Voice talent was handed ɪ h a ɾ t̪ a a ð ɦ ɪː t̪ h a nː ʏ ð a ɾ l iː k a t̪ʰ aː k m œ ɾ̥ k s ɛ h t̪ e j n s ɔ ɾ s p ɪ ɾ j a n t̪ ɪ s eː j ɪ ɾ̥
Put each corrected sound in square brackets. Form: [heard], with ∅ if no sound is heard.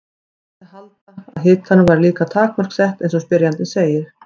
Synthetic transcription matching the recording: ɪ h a [l] t̪ a a ð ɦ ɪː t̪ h a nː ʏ [v] a ɾ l iː k a t̪ʰ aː k m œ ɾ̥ k s ɛ h t̪ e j n s ɔ [∅] s p ɪ ɾ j a n t̪ ɪ s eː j ɪ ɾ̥